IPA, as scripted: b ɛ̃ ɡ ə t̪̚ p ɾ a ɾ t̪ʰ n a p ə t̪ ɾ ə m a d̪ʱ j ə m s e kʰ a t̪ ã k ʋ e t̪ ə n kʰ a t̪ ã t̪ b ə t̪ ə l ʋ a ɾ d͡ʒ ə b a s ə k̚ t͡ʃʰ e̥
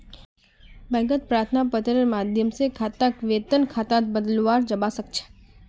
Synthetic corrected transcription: b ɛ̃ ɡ ə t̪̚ p ɾ a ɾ t̪ʰ n a p ə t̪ ɾ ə m a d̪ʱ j ə m s e kʰ a t̪ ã k ʋ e t̪ ə n kʰ a t̪ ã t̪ b ə d̪ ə l ʋ a ɾ d͡ʒ ə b a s ə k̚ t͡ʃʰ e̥